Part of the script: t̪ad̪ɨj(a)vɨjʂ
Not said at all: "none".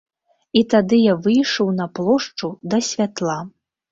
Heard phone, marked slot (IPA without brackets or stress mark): a